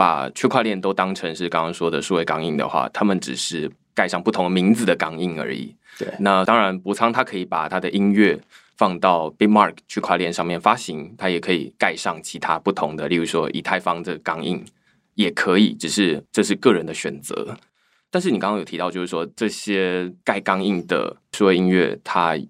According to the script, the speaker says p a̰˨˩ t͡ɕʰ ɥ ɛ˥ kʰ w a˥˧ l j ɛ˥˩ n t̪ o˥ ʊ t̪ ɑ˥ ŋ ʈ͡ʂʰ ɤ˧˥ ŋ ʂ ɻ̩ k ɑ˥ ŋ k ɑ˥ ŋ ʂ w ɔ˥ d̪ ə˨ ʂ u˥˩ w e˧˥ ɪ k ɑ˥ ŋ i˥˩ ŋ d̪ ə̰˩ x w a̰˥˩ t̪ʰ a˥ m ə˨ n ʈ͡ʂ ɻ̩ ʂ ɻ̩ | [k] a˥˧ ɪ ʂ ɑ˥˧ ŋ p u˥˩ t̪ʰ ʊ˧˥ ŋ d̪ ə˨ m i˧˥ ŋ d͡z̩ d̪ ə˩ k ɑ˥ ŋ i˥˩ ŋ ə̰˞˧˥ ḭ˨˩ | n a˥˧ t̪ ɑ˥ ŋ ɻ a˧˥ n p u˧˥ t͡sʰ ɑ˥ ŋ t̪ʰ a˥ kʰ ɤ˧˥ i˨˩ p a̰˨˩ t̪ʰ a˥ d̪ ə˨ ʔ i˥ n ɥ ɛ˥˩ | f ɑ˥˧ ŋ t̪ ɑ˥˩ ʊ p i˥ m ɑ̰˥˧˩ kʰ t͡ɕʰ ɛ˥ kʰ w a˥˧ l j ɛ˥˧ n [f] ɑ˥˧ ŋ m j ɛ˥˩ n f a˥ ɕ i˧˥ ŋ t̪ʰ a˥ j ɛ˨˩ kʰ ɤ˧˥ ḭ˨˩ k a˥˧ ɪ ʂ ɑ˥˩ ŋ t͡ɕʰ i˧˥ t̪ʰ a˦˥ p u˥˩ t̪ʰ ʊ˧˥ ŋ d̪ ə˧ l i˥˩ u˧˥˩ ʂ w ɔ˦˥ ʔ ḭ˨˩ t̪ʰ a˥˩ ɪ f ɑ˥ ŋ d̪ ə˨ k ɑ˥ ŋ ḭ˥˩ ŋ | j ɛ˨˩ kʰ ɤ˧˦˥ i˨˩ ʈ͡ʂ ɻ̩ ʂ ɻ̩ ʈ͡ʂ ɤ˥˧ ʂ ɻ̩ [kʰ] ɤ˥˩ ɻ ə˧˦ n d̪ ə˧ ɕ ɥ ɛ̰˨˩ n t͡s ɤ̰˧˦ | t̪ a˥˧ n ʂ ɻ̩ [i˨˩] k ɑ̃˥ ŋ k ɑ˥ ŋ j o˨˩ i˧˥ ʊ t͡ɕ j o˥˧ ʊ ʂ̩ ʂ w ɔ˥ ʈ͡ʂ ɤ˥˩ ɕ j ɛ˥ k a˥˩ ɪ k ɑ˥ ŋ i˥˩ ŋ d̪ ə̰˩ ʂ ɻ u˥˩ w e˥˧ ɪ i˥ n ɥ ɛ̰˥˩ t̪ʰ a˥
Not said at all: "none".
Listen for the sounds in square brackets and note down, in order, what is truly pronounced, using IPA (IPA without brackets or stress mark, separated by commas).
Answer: k, ʂ, k, i˨˩